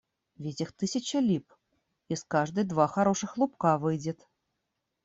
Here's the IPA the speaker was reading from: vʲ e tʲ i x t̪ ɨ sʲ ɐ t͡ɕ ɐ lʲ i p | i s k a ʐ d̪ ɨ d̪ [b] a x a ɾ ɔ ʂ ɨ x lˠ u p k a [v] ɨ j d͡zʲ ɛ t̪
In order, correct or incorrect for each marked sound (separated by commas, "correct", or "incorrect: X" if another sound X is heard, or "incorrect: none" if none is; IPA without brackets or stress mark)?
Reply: incorrect: v, correct